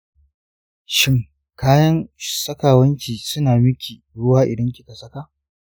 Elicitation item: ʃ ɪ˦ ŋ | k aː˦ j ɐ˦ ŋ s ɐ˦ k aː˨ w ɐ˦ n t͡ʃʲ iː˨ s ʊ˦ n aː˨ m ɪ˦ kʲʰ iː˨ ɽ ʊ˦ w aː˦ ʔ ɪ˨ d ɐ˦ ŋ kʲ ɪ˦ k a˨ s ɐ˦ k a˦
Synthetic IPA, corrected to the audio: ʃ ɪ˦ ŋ | k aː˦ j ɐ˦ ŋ s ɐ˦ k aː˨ w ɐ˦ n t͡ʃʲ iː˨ s ʊ˦ n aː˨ m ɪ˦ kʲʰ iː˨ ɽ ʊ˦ w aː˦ ʔ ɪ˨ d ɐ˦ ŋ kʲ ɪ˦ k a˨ s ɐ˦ k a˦